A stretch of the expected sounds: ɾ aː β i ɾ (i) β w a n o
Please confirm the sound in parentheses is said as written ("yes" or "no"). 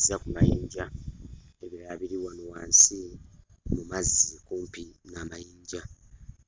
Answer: yes